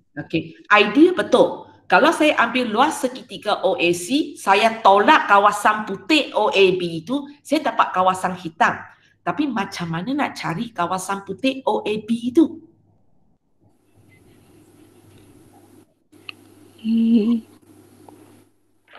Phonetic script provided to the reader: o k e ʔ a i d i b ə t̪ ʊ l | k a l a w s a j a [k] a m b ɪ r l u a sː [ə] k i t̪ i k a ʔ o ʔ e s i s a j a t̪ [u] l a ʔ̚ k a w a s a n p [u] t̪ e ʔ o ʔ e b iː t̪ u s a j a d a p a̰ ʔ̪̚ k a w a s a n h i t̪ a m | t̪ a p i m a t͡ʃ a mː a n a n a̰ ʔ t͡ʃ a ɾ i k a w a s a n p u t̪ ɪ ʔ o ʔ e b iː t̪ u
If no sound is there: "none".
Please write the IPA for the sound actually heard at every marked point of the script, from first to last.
ʔ, ə, o, u

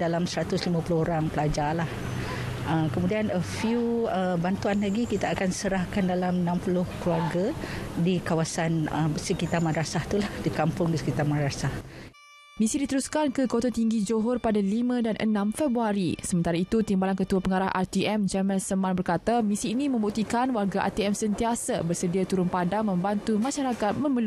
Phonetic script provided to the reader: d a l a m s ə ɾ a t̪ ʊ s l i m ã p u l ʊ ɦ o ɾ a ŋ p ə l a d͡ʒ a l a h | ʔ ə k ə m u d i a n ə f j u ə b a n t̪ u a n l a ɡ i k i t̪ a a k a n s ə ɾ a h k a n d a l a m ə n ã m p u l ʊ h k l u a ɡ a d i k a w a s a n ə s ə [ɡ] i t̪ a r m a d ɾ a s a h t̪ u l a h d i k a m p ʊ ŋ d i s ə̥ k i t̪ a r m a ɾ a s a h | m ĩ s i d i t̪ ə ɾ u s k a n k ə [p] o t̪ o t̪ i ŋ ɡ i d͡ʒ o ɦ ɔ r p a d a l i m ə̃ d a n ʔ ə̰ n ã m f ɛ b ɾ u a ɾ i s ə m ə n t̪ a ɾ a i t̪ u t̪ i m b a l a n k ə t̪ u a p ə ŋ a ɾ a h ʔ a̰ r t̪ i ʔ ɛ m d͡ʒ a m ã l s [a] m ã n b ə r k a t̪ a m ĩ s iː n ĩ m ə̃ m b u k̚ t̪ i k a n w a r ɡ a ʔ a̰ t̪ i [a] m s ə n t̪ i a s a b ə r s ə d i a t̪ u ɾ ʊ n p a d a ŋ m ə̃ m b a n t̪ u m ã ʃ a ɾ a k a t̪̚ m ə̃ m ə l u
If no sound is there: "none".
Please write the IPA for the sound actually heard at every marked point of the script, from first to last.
k, k, ə, ɛ

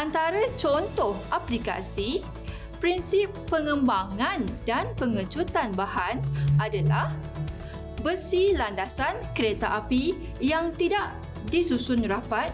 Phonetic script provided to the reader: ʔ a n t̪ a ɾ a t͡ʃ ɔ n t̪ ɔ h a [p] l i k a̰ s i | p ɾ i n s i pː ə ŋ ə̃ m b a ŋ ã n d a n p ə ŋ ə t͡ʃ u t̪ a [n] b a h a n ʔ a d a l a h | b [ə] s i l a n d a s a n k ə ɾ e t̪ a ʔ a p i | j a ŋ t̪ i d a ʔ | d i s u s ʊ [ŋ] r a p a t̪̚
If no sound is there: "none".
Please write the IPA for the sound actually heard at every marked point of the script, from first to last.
p, n, ə, n

